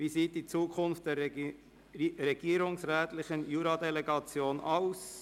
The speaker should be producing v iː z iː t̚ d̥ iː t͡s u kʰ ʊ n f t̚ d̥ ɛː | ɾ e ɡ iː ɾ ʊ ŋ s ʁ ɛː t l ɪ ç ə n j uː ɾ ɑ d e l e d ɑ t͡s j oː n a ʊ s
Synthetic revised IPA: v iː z iː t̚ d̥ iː t͡s uː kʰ ʊ n f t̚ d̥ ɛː | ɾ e ɡ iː ɾ ʊ ŋ s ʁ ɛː t l ɪ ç ə n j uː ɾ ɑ d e l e ɡ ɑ t͡s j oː n a ʊ s